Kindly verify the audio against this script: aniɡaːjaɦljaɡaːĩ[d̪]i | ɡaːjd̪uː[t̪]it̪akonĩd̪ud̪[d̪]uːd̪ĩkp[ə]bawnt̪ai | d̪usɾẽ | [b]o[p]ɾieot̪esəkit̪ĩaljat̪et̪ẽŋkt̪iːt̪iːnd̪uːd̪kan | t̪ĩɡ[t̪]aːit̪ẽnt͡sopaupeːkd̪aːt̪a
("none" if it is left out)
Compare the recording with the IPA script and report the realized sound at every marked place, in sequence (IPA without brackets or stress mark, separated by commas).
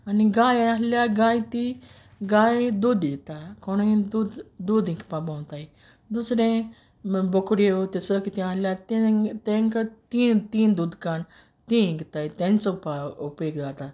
t̪, d̪, d̪, a, b, k, t̪